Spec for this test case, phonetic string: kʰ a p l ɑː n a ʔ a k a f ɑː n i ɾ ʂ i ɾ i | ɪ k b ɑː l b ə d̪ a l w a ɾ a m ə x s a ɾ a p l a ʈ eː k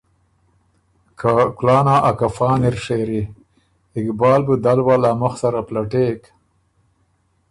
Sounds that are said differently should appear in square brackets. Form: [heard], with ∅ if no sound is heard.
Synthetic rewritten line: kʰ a [k] l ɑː n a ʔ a k a f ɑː n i ɾ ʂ [e] ɾ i | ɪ k b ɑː l b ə d̪ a l w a [l] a m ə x s a ɾ a p l a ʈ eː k